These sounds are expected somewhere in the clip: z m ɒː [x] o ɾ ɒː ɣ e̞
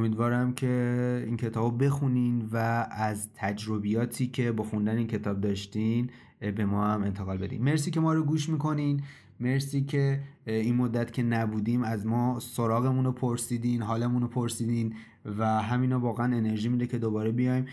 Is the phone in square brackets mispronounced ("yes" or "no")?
yes